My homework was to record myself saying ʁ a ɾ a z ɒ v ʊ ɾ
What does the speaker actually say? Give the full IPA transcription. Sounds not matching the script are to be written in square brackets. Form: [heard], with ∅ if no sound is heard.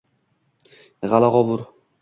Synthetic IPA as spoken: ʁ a [l] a [ʁ] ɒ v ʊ ɾ